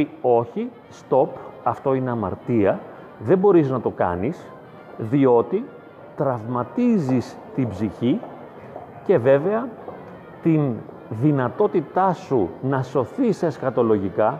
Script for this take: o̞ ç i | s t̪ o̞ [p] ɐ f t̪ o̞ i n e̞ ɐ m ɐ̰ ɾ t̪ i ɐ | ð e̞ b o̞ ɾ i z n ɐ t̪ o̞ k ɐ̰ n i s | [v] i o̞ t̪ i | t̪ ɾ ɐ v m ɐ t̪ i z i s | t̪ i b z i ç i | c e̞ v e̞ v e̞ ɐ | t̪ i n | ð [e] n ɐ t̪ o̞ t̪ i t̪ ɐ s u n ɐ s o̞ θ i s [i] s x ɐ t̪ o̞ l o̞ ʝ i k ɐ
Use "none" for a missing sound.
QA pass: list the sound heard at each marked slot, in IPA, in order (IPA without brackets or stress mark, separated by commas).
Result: p, ð, i, e